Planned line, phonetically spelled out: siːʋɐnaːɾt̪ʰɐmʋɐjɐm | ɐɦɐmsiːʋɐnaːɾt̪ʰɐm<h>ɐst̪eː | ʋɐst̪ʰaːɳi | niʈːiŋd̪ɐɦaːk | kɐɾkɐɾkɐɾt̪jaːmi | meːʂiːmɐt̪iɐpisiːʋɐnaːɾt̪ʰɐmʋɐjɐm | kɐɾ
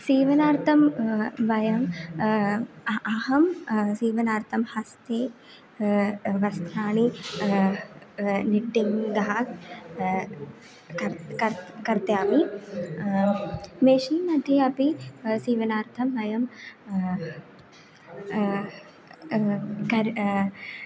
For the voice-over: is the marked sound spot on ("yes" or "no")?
yes